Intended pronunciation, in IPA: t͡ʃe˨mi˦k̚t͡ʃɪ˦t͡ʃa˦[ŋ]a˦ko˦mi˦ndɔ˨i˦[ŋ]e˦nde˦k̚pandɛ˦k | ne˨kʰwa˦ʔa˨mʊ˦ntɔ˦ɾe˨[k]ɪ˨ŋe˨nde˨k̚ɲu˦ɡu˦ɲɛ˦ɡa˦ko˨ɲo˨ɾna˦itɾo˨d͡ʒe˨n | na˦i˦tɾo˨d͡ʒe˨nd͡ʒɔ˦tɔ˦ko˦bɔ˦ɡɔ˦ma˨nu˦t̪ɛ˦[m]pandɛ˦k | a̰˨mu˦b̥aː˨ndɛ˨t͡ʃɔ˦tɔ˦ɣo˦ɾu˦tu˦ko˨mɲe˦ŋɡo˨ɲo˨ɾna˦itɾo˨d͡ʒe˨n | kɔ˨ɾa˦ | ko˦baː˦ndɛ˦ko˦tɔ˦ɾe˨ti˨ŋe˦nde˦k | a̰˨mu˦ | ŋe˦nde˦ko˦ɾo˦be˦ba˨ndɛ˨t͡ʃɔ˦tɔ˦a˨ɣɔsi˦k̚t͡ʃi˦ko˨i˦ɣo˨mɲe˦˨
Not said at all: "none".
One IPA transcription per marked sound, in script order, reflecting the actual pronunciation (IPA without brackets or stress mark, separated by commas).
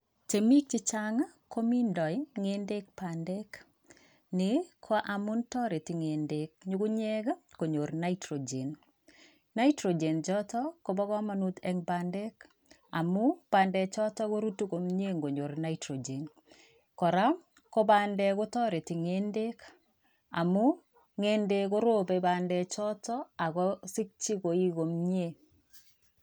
ŋ, ŋ, t, ŋ